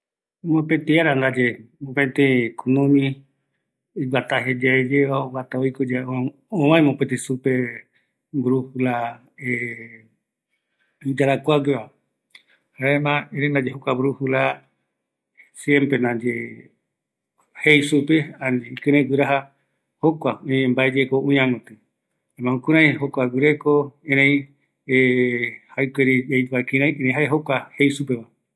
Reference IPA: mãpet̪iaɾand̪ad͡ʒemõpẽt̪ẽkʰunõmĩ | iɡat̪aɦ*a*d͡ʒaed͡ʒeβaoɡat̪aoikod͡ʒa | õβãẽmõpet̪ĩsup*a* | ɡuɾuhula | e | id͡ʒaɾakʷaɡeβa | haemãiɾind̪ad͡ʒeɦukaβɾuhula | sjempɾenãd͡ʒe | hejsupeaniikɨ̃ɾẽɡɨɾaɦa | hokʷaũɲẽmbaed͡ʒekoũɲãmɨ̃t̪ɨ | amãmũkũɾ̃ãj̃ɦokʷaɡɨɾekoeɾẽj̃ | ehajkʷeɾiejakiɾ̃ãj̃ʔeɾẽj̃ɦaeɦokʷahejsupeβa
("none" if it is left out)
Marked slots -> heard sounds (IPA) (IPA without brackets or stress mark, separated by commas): e, e